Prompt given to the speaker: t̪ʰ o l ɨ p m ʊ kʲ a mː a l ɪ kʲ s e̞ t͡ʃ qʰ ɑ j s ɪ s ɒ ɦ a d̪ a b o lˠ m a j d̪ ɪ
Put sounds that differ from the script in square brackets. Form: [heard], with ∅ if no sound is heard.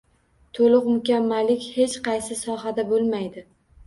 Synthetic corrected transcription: t̪ʰ o l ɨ [q] m ʊ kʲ a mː a l ɪ kʲ [h] e̞ t͡ʃ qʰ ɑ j s ɪ s ɒ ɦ a d̪ a b o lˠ m a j d̪ ɪ